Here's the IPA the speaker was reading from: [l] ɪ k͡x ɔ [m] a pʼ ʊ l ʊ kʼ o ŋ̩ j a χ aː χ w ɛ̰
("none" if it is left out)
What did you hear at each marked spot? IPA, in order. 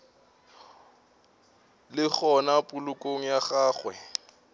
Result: l, n

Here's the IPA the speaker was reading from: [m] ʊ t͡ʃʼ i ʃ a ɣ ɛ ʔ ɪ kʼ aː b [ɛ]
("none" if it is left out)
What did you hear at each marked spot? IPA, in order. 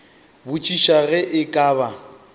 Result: b, a

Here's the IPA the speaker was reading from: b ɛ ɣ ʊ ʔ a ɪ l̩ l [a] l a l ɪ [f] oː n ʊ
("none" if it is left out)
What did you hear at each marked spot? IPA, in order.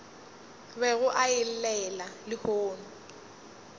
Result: ɛ, h

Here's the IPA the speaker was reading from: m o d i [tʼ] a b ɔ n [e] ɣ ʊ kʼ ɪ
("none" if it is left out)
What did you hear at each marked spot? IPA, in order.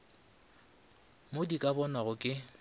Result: kʼ, a

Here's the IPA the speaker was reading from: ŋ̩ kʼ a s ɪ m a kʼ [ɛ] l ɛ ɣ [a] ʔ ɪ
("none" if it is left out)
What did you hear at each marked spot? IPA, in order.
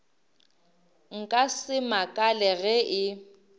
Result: a, ɛ

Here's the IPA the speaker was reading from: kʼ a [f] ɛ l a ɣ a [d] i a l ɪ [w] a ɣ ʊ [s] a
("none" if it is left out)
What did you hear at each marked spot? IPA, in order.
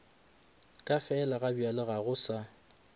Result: f, b, ɣ, s

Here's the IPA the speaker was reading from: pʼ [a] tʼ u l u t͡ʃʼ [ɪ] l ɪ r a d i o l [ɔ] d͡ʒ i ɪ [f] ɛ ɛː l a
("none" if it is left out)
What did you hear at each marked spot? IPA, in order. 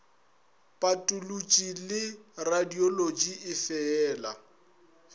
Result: a, i, o, f

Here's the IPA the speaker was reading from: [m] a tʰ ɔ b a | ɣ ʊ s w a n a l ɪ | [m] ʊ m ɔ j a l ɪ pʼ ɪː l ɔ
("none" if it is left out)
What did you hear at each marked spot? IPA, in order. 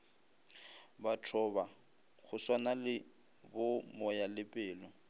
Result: b, b

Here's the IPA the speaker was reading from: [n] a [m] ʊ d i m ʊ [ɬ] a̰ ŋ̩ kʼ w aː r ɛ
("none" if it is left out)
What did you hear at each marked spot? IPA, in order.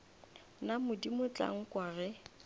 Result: n, m, t͡ɬ

